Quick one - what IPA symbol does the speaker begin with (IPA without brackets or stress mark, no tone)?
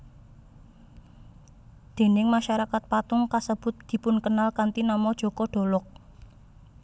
d̪̥